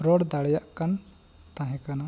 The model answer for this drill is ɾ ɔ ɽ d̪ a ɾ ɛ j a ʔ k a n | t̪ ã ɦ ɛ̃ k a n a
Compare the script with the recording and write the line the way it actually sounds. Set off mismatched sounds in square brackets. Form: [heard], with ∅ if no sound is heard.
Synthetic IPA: ɾ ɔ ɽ d̪ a [ɽ] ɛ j a ʔ k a n | t̪ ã ɦ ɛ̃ k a n a

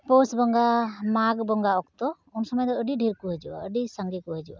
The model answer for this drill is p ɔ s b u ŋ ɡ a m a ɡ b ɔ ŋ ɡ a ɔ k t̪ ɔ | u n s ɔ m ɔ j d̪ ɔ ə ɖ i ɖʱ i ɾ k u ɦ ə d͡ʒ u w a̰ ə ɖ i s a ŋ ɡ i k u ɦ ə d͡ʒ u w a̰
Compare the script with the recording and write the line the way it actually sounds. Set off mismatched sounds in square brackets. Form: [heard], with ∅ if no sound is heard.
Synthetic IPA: p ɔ s b [ɔ] ŋ ɡ a m a ɡ b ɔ ŋ ɡ a ɔ k t̪ ɔ | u n s ɔ m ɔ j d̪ ɔ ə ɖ i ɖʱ i ɾ k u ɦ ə d͡ʒ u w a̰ ə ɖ i s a ŋ ɡ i k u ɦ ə d͡ʒ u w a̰

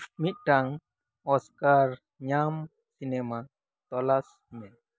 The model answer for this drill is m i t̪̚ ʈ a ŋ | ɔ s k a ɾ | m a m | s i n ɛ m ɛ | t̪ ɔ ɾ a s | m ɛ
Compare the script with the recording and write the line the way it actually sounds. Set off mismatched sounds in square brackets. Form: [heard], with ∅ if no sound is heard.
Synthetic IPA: m i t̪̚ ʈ a ŋ | ɔ s k a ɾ | [ɲ] a m | s i n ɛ m [a] | t̪ ɔ [l] a s | m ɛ

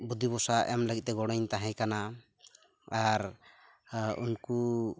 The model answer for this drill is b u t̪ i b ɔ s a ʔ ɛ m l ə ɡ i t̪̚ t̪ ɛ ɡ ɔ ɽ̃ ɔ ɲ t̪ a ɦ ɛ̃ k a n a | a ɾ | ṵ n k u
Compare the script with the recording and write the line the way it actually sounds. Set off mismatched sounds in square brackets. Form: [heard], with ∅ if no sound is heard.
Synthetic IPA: b u [d̪] i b ɔ s a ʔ ɛ m l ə ɡ i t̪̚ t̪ ɛ ɡ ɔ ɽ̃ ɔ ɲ t̪ a ɦ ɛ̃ k a n a | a ɾ | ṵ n k u

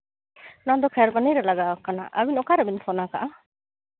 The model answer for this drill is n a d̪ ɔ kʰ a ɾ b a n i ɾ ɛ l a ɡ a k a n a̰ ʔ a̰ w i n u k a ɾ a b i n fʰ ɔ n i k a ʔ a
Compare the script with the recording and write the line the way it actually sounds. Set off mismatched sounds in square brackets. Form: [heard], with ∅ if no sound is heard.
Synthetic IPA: n a d̪ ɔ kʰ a ɾ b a n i ɾ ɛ l a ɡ a k a n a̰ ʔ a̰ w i n [ɔ] k a ɾ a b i n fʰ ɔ n [a] k a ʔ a

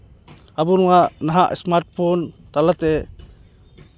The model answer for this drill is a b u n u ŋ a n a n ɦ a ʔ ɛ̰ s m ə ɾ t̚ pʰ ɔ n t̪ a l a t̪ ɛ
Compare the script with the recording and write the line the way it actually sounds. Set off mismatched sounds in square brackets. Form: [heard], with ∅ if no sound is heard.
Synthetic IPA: a b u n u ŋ a n a [∅] ɦ a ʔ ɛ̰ s m [a] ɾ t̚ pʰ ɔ n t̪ a l a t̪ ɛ

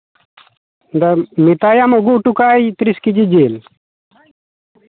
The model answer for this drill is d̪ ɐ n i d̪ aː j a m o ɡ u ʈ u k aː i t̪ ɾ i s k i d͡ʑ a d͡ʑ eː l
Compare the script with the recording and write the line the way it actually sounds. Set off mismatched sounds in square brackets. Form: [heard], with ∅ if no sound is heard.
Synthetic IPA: d̪ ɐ [m] i [t̪] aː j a m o ɡ u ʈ u k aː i t̪ ɾ i s k i d͡ʑ [i] d͡ʑ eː l

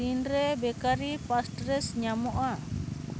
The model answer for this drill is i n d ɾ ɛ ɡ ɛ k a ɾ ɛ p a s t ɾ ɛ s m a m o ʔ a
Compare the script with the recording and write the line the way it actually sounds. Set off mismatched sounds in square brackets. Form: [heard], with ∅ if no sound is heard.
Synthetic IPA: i n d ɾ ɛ [b] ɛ k a ɾ [i] p a s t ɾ ɛ s [ɲ] a m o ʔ a

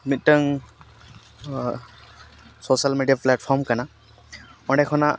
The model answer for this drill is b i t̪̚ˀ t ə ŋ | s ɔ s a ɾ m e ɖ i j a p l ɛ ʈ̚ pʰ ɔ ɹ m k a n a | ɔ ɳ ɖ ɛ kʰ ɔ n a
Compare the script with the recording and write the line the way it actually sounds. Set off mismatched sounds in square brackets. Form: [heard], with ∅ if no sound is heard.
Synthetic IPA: [m] i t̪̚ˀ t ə ŋ | s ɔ s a [l] m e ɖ i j a p l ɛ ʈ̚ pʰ ɔ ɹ m k a n a | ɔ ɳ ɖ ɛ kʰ ɔ n a

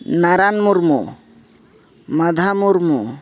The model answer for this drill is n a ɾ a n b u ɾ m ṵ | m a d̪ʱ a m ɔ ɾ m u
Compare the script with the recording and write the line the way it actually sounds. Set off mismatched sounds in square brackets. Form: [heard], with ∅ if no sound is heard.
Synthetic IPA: n a ɾ a n [m] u ɾ m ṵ | m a d̪ʱ a m [u] ɾ m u

